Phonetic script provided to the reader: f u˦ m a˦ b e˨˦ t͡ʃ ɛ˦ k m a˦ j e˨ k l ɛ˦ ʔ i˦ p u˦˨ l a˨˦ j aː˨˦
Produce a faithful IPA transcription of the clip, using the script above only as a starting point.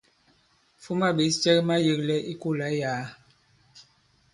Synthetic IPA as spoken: f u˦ m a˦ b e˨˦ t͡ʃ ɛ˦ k m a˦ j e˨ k l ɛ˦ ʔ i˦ k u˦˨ l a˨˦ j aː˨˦